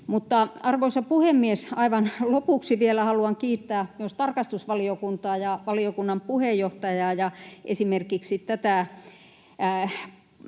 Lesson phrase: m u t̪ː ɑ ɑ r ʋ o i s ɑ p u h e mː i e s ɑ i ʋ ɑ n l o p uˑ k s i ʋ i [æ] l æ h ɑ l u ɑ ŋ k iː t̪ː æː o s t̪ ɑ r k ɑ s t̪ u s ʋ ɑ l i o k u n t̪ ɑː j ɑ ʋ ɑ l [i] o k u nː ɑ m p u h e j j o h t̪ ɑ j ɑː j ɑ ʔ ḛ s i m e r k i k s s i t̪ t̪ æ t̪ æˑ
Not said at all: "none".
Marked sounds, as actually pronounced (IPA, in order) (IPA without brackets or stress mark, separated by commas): e, i